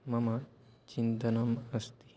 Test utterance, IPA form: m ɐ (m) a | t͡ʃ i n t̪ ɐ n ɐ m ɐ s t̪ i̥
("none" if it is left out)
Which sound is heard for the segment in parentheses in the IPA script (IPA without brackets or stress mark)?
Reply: m